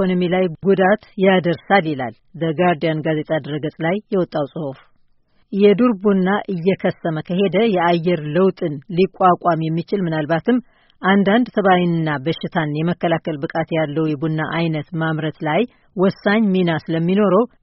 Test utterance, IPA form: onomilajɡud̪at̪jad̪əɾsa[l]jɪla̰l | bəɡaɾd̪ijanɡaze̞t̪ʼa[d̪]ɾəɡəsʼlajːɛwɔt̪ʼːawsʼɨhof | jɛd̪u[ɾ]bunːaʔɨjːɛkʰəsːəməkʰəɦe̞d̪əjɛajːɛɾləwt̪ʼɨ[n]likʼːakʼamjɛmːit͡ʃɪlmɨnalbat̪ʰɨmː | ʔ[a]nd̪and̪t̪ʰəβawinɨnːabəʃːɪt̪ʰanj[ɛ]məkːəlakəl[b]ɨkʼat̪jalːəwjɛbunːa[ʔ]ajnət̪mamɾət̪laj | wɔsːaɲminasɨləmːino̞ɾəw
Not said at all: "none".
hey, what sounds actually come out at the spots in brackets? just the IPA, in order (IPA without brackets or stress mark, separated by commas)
l, d̪, ɾ, n, a, ɛ, b, ʔ